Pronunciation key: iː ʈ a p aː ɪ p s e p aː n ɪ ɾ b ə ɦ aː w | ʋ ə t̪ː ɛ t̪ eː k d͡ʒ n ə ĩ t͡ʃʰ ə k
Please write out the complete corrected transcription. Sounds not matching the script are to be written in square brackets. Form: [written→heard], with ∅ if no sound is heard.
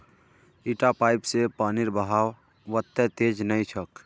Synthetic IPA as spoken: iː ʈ a p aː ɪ p s e p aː n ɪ ɾ b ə ɦ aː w | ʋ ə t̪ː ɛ t̪ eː [k→∅] d͡ʒ n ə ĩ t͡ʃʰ ə k